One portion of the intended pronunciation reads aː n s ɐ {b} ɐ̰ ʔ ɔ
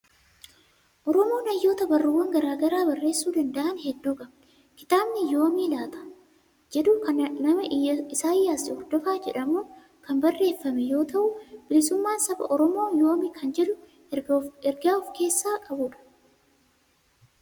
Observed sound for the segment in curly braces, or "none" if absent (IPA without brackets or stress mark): b